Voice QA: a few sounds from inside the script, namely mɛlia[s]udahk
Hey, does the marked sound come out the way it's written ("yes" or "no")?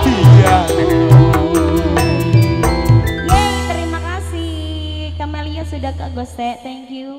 yes